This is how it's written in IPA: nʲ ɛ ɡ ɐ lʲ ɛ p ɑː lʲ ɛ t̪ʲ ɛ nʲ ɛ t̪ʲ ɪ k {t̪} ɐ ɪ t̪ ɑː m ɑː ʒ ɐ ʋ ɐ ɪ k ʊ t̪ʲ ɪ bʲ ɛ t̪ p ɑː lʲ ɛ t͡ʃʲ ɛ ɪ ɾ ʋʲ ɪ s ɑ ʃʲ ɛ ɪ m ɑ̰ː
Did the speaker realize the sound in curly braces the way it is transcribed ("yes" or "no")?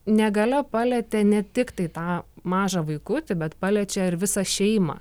yes